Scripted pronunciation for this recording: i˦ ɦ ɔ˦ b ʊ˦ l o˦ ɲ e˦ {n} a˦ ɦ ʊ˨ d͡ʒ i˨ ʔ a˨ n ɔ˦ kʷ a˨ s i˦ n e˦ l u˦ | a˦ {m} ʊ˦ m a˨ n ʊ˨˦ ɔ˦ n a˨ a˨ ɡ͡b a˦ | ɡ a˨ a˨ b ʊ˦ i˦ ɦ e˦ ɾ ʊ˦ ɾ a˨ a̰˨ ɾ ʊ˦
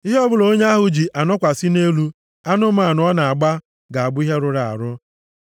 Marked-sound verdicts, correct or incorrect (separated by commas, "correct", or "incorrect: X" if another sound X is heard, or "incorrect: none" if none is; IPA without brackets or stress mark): incorrect: none, incorrect: n